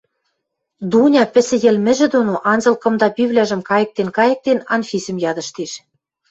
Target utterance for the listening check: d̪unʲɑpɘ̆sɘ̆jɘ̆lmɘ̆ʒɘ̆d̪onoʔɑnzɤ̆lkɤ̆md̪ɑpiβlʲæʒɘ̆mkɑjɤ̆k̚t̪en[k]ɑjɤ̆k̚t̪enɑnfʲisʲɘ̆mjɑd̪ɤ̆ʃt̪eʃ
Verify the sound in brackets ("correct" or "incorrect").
correct